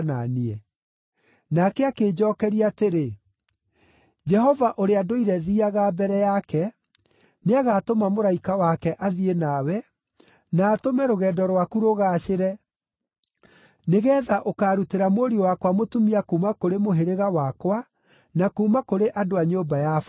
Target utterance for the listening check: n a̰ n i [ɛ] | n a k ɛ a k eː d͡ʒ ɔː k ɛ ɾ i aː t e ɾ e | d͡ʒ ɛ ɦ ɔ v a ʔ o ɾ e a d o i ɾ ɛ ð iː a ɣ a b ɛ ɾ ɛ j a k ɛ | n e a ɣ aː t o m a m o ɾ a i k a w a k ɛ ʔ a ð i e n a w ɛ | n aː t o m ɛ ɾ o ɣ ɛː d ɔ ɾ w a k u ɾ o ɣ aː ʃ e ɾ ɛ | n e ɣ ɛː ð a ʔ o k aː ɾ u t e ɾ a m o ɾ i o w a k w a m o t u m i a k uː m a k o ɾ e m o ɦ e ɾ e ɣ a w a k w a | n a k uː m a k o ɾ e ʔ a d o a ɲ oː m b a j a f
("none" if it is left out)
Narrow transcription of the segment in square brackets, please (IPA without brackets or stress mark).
ɛ